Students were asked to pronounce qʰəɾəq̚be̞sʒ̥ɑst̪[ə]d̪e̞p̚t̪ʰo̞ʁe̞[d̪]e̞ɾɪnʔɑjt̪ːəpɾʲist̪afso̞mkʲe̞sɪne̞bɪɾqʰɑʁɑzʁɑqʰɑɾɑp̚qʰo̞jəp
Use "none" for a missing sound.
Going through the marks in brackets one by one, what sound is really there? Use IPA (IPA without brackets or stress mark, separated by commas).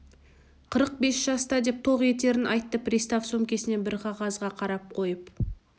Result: ɑ, t̪